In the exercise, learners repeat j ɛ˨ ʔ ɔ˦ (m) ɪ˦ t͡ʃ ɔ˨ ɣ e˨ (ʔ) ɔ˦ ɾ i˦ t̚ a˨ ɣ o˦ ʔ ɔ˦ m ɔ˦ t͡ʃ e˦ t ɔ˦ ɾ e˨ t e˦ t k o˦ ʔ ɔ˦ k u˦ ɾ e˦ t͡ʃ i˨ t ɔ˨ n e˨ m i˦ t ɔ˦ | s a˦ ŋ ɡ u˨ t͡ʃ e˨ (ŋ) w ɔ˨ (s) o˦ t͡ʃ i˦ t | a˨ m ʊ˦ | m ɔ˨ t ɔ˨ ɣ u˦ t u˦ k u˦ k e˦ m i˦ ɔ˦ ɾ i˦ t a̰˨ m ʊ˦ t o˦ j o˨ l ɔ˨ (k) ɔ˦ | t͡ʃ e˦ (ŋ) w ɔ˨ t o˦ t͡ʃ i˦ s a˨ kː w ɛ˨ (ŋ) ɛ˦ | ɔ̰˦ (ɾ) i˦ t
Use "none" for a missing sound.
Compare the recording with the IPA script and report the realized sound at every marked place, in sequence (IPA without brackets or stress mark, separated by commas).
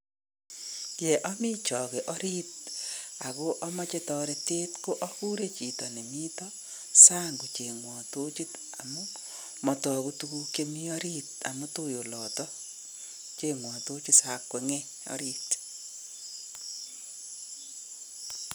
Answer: m, ʔ, ŋ, t, t, ŋ, ŋ, ɾ